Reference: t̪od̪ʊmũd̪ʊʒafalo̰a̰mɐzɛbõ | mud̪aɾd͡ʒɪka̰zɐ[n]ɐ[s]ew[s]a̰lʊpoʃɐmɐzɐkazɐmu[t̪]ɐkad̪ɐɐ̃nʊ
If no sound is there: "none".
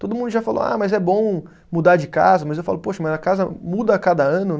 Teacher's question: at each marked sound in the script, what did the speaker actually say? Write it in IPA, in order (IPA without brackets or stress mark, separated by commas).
m, z, f, d̪